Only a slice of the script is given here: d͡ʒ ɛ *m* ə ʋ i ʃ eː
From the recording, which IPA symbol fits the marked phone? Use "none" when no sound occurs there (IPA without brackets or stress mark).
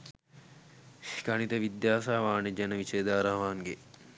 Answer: n